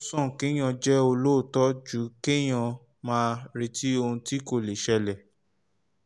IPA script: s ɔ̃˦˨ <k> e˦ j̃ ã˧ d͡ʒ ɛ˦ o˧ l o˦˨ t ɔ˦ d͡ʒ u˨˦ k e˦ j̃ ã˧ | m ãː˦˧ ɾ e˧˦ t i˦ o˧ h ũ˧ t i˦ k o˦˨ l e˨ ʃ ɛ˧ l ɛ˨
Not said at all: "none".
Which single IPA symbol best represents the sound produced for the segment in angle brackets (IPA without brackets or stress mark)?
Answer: k